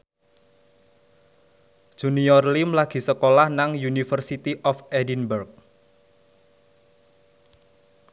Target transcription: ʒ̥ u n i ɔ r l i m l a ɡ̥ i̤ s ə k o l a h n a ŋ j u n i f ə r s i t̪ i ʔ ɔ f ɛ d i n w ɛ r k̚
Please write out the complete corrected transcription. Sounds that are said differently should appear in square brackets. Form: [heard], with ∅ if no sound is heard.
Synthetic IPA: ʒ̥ u n i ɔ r l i m l a ɡ̥ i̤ s ə k o l a h n a ŋ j u n i f ə r s i t̪ i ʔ ɔ f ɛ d i n [b] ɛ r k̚